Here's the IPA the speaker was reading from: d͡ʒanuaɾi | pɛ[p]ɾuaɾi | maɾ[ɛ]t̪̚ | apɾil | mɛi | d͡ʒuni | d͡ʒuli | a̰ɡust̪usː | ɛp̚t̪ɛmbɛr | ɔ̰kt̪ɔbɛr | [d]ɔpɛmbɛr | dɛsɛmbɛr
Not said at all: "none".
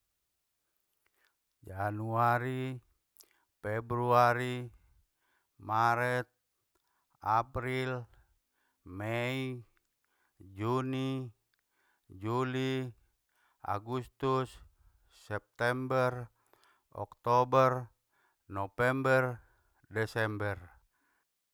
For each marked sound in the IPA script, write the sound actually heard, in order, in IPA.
b, ɛ, n

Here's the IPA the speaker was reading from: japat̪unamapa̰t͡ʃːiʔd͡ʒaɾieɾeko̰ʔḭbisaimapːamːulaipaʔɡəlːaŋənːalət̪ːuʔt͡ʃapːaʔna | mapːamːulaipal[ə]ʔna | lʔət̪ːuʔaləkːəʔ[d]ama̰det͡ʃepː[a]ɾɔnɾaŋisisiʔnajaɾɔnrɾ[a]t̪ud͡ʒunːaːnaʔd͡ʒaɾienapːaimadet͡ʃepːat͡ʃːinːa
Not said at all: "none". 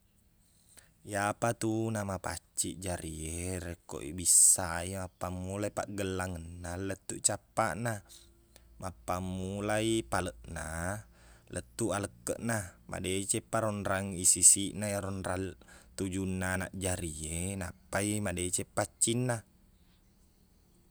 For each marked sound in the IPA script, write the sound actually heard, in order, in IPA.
ə, n, a, a

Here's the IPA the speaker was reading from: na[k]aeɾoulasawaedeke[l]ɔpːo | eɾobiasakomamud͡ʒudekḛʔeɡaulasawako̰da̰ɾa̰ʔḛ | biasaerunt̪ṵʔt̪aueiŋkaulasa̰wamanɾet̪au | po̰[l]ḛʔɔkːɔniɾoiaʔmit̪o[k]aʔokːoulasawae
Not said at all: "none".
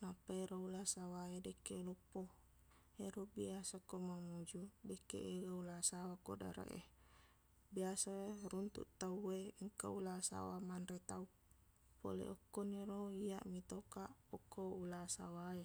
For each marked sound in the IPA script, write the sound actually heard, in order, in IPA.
p, l, l, k

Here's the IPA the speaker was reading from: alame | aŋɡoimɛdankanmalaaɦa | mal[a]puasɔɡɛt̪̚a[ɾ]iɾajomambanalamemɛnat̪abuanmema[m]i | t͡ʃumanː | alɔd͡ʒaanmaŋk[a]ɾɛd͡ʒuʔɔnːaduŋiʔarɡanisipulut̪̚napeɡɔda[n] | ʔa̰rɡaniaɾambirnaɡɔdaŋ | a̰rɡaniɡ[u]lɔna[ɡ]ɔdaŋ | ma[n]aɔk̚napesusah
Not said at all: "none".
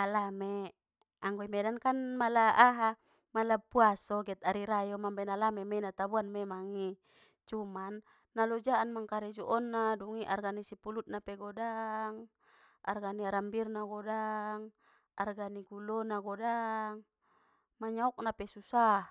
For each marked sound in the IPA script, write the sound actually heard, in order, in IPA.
a, ɾ, ŋ, a, ŋ, u, ɡ, ɲ

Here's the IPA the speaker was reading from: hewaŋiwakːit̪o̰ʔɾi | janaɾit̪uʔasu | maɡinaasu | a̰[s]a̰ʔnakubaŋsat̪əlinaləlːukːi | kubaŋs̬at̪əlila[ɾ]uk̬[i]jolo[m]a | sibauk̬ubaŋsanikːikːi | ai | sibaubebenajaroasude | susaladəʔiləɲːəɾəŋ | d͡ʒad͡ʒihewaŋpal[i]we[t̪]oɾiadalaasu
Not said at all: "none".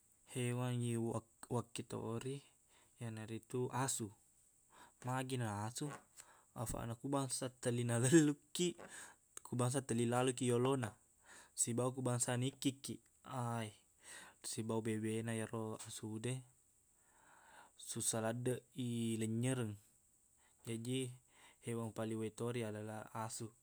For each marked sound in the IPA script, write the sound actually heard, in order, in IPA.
f, l, i, n, i, t̪

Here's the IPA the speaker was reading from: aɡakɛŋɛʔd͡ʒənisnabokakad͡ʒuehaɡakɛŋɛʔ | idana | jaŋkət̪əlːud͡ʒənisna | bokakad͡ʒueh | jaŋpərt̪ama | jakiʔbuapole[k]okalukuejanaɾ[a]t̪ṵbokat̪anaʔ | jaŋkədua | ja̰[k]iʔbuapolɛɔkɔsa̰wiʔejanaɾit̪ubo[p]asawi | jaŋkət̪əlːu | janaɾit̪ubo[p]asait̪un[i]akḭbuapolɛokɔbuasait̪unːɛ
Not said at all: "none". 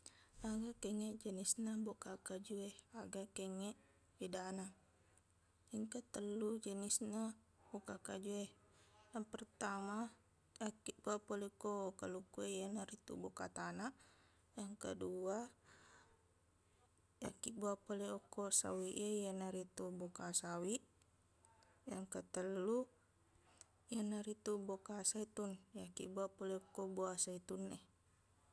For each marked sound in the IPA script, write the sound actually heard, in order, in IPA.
k, i, k, k, k, j

